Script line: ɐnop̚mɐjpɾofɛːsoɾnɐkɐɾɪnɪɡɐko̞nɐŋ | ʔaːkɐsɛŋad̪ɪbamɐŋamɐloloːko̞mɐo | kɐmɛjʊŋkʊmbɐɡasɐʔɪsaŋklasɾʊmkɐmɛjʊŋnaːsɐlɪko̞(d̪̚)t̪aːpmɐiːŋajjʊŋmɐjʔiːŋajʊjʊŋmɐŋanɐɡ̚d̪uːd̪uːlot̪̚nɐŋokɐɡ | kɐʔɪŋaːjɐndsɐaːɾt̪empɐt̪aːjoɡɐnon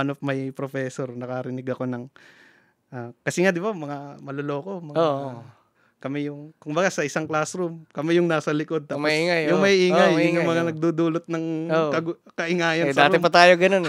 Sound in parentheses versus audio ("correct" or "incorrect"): correct